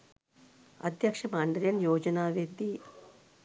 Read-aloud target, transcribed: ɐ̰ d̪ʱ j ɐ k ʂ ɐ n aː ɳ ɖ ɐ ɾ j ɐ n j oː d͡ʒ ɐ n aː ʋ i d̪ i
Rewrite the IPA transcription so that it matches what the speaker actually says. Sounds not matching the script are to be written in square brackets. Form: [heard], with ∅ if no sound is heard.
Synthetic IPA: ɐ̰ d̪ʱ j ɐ k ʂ ɐ [m] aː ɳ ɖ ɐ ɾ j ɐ n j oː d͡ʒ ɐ n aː ʋ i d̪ i